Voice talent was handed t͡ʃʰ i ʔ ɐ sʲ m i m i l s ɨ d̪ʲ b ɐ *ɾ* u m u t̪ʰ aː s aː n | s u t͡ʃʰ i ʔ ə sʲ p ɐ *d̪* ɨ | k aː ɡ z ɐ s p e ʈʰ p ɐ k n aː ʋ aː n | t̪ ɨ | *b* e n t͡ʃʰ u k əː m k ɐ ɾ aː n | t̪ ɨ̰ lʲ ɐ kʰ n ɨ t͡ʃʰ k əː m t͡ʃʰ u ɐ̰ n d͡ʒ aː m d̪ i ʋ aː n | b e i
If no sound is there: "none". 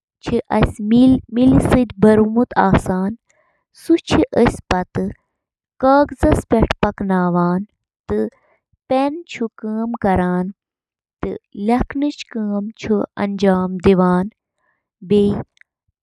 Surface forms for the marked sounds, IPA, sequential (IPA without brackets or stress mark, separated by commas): ɾ, t̪, p